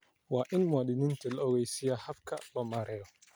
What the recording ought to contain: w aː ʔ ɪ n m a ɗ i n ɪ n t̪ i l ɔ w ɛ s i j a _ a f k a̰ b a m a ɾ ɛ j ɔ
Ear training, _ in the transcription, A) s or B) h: B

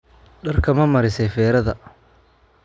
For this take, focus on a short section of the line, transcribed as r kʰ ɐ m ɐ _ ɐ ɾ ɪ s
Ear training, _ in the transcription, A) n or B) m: B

